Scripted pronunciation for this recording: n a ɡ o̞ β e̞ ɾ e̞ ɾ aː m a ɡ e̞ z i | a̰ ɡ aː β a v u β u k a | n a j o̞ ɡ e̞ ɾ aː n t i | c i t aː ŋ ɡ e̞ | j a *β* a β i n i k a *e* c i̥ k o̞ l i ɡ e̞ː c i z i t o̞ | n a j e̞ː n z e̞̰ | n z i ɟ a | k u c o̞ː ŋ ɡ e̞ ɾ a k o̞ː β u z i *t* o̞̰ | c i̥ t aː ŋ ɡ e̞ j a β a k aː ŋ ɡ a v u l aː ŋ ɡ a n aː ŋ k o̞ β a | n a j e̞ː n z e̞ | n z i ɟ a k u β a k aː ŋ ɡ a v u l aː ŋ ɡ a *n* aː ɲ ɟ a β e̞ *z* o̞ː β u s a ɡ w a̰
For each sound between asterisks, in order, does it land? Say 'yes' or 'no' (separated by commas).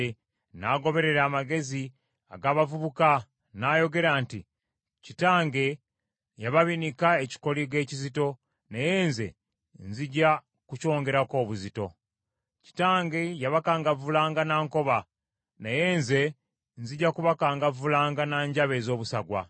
yes, yes, yes, yes, yes